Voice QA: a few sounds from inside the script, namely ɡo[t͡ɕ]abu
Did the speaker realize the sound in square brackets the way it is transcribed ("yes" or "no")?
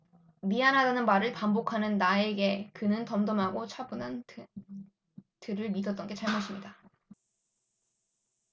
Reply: no